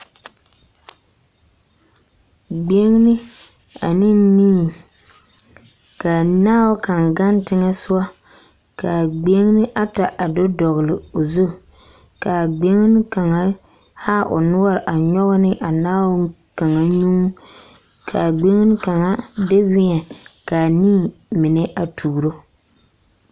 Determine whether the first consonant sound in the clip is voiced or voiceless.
voiced